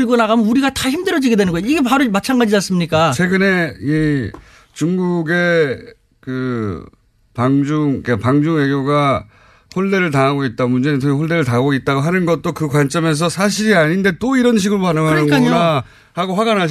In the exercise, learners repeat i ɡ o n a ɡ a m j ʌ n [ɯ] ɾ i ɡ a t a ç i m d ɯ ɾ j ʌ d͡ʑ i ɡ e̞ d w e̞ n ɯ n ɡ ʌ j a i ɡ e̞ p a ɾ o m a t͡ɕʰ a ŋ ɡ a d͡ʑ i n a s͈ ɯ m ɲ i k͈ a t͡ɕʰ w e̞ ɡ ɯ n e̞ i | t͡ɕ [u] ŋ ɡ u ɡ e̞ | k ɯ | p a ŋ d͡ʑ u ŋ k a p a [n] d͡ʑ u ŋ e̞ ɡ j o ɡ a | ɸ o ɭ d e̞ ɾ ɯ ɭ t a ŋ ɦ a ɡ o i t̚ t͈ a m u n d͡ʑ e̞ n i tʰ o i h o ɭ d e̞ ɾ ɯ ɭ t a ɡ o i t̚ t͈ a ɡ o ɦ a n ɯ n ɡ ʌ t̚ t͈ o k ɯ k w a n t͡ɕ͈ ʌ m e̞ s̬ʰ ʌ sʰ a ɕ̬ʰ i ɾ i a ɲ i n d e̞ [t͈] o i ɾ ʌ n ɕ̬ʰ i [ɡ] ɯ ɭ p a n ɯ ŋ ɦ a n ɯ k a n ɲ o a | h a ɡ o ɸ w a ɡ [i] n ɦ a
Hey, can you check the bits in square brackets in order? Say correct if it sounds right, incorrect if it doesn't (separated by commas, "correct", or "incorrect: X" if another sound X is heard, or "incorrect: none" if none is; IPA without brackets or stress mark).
incorrect: u, correct, incorrect: ŋ, correct, correct, incorrect: a